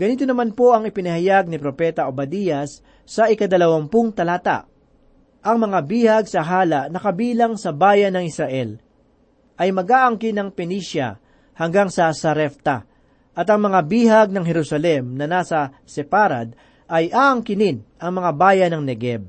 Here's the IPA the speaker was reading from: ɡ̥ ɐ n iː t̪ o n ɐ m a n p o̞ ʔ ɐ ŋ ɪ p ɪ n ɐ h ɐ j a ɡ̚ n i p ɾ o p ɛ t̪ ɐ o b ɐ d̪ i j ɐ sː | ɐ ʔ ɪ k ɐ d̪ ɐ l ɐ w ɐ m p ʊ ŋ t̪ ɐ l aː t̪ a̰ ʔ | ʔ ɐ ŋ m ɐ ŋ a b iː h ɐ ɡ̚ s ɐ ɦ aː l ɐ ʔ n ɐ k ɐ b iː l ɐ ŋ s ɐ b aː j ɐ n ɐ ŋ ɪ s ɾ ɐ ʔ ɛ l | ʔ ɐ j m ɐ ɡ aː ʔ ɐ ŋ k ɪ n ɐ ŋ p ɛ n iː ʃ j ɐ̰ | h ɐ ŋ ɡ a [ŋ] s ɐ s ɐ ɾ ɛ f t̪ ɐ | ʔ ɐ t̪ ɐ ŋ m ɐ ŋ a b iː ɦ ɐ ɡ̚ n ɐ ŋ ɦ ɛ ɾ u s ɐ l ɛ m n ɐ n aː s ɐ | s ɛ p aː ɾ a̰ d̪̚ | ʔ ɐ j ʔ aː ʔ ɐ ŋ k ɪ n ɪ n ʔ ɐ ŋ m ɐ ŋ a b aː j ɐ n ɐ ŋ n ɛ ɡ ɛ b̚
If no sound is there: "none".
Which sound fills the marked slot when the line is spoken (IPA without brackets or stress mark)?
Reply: ŋ